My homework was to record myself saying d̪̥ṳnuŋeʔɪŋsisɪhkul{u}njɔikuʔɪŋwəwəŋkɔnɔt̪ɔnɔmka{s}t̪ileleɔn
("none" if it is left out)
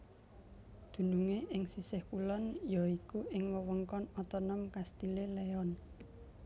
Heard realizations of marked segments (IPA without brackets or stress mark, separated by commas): ɔ, s